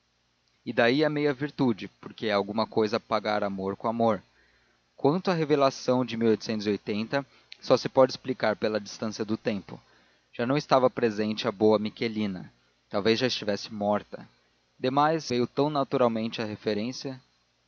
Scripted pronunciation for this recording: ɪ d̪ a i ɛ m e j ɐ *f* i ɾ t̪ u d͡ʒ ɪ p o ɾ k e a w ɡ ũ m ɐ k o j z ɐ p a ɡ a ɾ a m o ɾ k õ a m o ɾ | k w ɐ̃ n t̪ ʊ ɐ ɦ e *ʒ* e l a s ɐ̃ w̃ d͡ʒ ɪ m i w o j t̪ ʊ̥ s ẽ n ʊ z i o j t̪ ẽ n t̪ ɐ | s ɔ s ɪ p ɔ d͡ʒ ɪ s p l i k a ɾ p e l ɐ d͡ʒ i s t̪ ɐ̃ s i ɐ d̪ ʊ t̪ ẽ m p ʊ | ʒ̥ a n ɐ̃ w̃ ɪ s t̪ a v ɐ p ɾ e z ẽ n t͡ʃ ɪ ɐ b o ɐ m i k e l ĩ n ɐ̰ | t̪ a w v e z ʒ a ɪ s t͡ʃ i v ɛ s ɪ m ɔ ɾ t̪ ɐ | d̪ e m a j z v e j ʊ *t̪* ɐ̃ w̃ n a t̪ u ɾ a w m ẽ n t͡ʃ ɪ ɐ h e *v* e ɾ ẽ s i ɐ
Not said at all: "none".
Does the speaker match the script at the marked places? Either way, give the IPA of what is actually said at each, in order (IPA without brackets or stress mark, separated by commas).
v, v, t̪, f